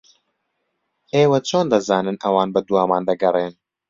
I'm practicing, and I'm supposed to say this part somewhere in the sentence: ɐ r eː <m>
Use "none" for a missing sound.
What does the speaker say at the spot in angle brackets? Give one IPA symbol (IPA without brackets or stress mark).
n